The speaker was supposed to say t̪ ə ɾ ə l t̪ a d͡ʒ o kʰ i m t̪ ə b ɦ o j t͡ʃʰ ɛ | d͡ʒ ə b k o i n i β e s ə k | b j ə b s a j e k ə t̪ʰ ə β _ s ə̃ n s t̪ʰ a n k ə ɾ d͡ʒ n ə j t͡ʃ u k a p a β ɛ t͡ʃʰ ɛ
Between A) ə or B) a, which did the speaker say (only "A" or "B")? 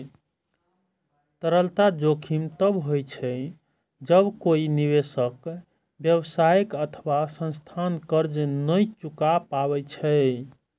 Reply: B